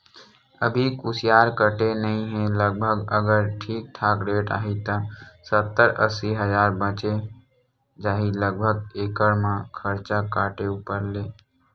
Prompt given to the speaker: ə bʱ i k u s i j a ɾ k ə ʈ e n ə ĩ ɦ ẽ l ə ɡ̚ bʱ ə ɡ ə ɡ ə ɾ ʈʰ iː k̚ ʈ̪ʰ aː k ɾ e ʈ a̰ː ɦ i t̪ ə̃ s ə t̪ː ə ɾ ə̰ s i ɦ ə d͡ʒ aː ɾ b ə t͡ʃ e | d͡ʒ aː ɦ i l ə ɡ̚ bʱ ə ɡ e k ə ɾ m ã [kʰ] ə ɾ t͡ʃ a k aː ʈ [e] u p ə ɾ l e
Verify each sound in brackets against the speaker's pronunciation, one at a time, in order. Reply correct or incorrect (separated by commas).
correct, correct